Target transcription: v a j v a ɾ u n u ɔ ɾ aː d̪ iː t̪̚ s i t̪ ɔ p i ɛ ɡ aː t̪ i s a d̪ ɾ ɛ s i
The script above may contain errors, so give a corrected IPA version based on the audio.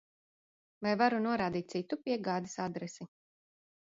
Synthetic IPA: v a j v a ɾ u n u ɔ ɾ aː d̪ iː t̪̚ s i t̪ u p i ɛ ɡ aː d̪ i s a d̪ ɾ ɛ s i